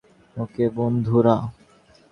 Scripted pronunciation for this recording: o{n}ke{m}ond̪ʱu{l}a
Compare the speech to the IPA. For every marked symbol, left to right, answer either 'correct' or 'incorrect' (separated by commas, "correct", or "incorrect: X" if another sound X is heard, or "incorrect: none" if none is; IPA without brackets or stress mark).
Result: incorrect: none, incorrect: b, incorrect: ɾ